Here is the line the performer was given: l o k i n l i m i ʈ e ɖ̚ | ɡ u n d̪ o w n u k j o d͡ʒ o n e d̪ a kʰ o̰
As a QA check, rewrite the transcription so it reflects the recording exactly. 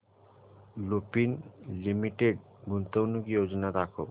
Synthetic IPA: l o p i n l i m i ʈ e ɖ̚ | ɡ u n t̪ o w n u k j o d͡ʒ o n a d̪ a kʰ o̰